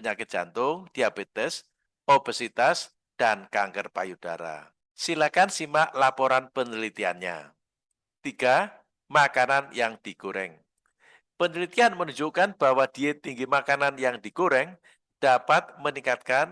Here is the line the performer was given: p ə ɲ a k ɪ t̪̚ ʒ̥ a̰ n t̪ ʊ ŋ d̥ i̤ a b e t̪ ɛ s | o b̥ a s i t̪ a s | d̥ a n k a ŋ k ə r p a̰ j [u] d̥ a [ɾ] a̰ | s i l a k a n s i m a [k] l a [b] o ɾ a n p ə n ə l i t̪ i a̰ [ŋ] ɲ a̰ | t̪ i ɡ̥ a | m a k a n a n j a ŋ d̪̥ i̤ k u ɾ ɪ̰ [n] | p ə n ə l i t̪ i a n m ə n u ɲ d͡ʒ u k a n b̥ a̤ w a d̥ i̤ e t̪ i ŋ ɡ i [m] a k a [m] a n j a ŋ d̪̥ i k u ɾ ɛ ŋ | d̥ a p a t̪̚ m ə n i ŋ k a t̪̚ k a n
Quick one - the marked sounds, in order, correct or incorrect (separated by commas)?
correct, correct, incorrect, incorrect, incorrect, incorrect, correct, incorrect